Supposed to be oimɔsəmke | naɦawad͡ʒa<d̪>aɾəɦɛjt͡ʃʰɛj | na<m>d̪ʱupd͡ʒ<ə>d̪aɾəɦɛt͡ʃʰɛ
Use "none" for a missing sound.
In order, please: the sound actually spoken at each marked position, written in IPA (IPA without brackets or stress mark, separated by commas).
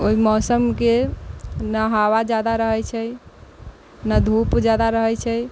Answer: d̪, none, a